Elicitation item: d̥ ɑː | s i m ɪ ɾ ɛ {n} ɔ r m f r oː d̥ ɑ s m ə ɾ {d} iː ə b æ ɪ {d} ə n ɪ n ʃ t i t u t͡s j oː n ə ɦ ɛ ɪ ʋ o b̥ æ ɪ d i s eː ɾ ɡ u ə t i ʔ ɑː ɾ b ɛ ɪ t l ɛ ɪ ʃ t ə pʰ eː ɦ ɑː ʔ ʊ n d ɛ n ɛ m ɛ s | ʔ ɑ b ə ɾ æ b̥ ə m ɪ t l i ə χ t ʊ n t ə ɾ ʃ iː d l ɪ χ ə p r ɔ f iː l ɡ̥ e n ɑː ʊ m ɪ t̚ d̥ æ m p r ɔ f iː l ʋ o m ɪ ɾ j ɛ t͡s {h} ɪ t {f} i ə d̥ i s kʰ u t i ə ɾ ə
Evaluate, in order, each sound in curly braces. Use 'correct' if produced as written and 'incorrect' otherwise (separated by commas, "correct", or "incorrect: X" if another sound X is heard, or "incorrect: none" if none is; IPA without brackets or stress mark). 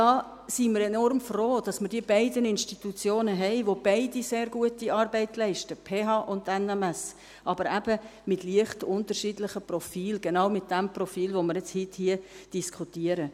correct, correct, correct, correct, incorrect: h